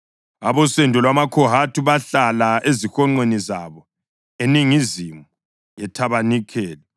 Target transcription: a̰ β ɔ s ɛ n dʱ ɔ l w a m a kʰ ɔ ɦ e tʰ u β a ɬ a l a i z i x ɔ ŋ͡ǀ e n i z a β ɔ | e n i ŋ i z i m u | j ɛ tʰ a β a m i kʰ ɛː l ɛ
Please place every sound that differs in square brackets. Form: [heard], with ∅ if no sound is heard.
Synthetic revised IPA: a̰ β ɔ s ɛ n dʱ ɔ l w a m a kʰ ɔ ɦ [a] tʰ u β a ɬ a l a [e] z i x ɔ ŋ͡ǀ e n i z a β ɔ | e n i ŋ i z i m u | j ɛ tʰ a β a [n] i kʰ ɛː l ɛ